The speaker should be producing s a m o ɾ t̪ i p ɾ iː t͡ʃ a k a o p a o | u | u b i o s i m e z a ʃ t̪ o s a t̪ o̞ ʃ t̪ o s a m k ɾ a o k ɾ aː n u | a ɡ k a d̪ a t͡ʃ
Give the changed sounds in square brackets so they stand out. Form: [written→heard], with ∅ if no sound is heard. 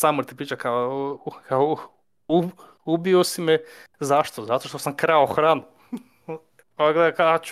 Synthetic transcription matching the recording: s a m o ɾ t̪ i p ɾ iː t͡ʃ a k a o [p→k] a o | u | u b i o s i m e z a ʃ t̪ o [s→z] a t̪ o̞ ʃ t̪ o s a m k ɾ a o [k→x] ɾ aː n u | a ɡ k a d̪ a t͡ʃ